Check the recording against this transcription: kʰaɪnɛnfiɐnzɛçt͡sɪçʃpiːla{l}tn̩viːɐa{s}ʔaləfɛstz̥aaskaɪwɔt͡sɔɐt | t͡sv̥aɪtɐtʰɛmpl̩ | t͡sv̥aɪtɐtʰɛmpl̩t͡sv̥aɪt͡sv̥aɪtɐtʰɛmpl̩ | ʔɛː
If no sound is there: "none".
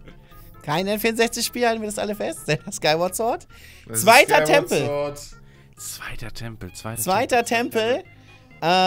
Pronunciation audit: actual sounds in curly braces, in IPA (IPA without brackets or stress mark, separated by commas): l, s